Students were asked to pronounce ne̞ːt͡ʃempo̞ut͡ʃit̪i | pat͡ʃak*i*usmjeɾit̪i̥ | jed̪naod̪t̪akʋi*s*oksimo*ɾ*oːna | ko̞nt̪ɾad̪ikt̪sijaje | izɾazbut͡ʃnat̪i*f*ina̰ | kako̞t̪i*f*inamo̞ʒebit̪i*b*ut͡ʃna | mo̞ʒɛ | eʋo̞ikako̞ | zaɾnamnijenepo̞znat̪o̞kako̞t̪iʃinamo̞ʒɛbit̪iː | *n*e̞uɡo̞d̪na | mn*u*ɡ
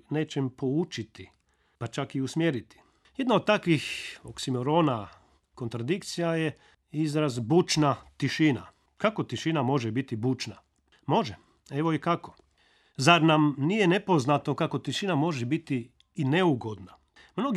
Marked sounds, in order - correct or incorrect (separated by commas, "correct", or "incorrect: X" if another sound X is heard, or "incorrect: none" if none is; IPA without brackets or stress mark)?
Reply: correct, incorrect: x, correct, incorrect: ʃ, incorrect: ʃ, correct, correct, incorrect: o